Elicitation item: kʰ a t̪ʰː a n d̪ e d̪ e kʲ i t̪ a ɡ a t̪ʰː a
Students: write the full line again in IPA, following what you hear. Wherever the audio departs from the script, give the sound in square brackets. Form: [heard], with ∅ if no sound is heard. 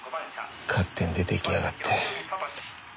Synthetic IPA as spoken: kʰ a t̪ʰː [e] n d̪ e [t̪] e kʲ i [∅] a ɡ a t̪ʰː [e]

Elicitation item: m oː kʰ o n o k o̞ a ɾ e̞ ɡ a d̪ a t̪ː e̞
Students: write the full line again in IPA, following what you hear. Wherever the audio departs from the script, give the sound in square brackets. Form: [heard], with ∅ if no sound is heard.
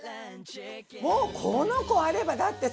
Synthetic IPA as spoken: m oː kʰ o n o k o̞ a ɾ e̞ [b] a d̪ a t̪ː e̞

